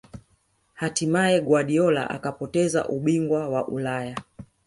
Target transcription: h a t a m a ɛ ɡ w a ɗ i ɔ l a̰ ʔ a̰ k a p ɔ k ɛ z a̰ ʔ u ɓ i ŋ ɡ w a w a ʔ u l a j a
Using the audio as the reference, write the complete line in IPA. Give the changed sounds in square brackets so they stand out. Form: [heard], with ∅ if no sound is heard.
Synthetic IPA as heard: h a t [i] m a ɛ ɡ w a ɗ i ɔ l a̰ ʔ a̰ k a p ɔ [t] ɛ z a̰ ʔ u ɓ i ŋ ɡ w a w a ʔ u l a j a